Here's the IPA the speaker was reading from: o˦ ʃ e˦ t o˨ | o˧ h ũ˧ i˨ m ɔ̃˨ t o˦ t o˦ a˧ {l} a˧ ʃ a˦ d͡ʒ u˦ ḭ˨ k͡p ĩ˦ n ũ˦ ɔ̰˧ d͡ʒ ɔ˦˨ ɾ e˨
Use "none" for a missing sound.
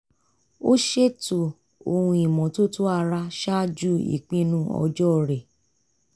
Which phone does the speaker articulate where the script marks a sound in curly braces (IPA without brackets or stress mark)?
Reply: ɾ